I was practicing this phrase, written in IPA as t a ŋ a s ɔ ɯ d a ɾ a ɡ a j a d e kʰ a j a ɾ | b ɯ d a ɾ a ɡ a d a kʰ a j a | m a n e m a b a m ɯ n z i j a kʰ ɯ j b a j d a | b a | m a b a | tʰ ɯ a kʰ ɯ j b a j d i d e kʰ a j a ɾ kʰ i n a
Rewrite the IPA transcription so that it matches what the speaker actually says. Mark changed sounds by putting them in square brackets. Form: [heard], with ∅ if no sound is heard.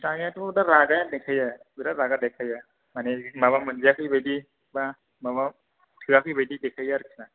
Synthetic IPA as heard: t a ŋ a [t] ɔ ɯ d a ɾ a ɡ a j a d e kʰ a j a [∅] | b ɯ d a ɾ a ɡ a d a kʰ a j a | m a n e m a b a m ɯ n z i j a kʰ ɯ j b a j d [i] | b a | m a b a | tʰ ɯ a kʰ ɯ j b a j d i d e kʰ a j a ɾ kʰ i n a